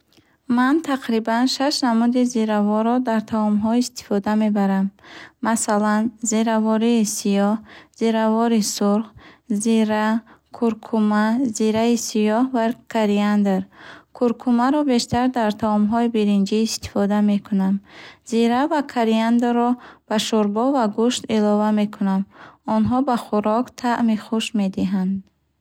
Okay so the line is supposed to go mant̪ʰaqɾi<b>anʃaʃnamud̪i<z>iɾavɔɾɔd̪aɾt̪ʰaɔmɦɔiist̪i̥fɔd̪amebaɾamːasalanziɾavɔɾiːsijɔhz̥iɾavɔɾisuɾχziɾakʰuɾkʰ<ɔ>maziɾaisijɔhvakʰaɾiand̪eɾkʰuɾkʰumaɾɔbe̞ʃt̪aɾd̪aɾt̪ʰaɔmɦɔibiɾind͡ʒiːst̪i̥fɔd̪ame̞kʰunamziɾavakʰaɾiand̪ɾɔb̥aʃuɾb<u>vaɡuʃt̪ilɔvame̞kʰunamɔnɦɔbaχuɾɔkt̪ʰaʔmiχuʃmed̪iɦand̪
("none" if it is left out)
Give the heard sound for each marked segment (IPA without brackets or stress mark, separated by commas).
b, z, u, ɔ